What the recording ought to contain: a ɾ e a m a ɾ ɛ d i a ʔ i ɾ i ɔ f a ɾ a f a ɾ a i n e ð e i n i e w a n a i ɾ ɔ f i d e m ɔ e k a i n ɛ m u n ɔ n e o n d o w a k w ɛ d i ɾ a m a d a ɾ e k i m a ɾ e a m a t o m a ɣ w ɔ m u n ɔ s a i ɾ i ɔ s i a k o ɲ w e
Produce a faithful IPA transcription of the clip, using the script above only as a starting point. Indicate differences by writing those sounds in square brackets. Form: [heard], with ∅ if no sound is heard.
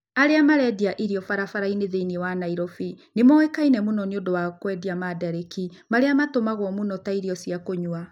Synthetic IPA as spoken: a ɾ e a m a ɾ ɛ d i a ʔ i ɾ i ɔ f a ɾ a f a ɾ a i n e ð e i n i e w a n a i ɾ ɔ f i [n] e m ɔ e k a i n ɛ m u n ɔ n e o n d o w a k w ɛ d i [∅] a m a d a ɾ e k i m a ɾ e a m a t o m a ɣ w ɔ m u n ɔ [t] a i ɾ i ɔ s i a k o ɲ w [a]